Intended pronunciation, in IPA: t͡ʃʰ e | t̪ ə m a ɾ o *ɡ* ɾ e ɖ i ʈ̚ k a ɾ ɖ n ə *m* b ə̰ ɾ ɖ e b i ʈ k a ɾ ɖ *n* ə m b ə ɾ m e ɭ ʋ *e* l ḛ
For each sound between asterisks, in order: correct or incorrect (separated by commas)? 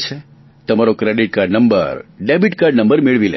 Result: incorrect, correct, correct, incorrect